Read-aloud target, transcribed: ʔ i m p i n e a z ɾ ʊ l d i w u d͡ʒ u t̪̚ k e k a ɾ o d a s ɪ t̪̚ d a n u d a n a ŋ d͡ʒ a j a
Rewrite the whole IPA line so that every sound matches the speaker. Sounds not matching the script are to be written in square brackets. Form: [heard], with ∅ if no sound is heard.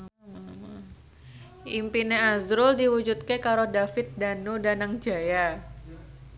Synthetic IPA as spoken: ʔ i m p i n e a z ɾ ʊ l d i w u d͡ʒ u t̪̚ k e k a ɾ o d a [f] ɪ t̪̚ d a n u d a n a ŋ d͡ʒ a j a